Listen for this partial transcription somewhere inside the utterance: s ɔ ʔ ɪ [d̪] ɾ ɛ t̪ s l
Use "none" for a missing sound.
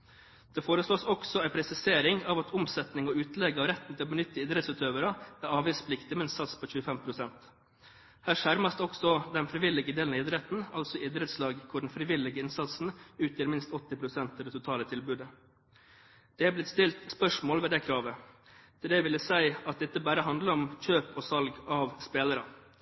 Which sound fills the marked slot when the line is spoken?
d̪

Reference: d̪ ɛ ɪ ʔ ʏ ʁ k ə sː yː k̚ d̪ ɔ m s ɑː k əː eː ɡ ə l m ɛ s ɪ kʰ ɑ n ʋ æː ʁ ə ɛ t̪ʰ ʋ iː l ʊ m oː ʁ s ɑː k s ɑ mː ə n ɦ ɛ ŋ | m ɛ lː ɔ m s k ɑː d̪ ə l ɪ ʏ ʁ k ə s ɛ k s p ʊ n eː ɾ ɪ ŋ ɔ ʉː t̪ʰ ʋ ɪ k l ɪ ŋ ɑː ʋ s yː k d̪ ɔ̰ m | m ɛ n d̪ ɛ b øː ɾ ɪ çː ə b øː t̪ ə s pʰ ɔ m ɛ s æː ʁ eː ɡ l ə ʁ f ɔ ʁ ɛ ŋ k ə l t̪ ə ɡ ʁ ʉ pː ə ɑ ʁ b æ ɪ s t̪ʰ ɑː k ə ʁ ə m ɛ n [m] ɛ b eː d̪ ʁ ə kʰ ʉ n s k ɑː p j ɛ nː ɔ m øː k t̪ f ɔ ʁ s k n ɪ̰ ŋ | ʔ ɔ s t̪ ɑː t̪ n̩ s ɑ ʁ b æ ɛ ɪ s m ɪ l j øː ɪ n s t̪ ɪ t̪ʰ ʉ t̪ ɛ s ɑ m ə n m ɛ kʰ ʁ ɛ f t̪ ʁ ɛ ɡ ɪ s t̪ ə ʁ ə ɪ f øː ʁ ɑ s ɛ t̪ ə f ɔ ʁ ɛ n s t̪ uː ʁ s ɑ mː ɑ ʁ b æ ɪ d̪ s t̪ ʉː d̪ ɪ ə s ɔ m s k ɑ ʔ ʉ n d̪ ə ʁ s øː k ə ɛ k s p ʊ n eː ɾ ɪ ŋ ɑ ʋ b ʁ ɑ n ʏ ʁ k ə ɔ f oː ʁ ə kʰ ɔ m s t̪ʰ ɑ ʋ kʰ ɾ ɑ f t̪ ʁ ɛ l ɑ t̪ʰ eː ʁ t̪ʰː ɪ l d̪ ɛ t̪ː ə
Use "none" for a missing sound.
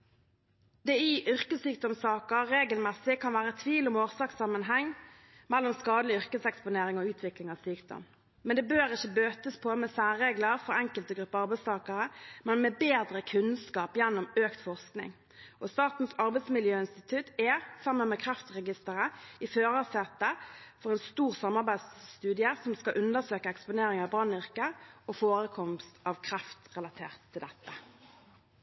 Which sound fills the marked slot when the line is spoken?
m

